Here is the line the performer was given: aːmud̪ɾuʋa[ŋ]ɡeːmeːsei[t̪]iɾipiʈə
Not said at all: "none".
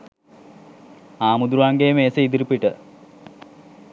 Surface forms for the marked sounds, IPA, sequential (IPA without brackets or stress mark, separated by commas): ŋ, d̪